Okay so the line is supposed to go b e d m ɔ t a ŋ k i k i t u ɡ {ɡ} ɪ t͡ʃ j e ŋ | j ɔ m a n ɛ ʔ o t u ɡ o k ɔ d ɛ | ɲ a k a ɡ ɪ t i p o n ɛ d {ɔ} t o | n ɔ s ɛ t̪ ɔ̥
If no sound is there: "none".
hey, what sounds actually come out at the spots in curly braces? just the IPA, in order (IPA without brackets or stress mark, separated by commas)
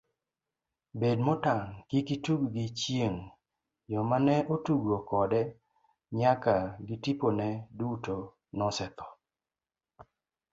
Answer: ɡ, u